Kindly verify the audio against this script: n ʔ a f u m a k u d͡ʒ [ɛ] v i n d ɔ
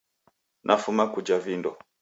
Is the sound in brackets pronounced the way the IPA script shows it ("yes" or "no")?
no